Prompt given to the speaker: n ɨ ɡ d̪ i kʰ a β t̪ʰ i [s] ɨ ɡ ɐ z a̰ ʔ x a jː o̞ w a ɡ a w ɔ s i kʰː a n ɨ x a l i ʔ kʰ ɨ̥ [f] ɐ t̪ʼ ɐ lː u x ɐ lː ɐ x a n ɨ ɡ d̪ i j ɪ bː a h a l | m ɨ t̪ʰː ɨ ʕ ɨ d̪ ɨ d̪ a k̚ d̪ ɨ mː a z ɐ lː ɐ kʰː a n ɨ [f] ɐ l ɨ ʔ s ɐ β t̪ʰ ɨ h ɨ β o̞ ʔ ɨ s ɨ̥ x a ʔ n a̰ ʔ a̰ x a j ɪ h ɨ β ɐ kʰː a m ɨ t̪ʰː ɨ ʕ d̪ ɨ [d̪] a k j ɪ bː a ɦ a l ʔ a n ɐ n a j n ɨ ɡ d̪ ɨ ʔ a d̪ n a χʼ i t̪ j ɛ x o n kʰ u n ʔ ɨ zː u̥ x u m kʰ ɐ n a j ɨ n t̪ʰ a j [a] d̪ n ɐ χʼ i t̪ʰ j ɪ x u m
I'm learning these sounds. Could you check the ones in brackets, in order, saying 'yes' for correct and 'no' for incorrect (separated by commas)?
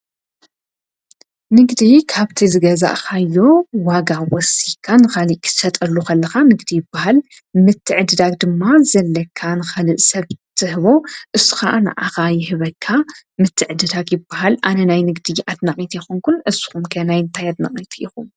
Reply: no, no, no, yes, yes